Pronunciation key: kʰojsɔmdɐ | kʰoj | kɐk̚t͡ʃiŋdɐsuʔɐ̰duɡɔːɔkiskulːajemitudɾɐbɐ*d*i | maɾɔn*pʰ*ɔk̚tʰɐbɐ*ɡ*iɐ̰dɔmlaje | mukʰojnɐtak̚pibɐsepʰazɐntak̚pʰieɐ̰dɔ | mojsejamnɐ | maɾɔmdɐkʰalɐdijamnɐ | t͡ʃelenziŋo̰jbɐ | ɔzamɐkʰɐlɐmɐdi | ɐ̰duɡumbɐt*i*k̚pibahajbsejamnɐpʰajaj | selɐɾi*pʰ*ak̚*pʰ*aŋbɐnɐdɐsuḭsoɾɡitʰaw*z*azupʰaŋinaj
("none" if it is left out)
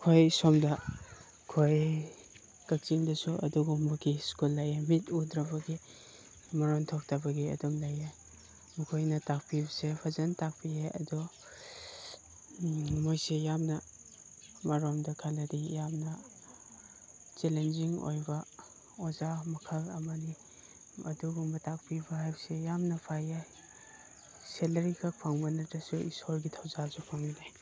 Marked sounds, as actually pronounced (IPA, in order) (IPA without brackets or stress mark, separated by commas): ɡ, tʰ, ɡ, a, kʰ, pʰ, z